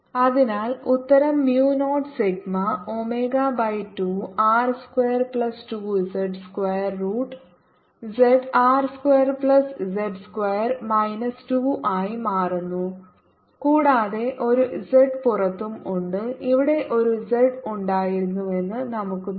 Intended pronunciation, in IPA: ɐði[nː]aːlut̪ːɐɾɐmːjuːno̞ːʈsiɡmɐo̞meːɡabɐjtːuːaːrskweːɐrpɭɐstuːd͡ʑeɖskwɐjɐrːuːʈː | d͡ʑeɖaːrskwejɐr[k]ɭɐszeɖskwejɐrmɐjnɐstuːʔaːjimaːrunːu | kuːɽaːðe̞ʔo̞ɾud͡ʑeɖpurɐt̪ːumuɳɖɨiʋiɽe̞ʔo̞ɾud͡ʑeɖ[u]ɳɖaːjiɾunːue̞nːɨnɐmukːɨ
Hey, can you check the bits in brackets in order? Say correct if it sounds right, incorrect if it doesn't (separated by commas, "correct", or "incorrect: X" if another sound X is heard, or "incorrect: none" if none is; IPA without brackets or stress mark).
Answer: incorrect: n, incorrect: p, correct